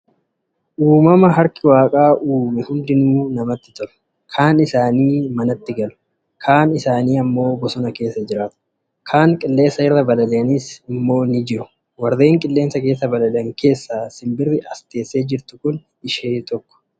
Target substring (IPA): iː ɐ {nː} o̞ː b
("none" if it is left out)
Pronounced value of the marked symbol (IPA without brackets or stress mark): mː